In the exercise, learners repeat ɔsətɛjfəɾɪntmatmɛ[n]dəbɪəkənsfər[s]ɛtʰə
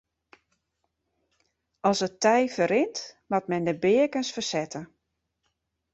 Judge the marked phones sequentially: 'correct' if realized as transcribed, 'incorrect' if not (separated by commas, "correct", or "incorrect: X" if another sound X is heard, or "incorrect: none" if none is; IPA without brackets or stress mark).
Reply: correct, correct